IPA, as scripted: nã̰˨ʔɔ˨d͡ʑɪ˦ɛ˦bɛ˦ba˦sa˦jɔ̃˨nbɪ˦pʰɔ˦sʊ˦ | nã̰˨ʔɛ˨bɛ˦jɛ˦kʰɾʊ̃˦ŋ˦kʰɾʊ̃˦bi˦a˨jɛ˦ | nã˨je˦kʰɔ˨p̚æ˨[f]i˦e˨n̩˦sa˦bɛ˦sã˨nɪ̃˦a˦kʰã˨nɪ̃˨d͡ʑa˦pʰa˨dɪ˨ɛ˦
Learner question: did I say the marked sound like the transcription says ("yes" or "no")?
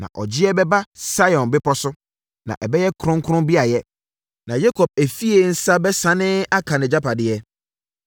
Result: yes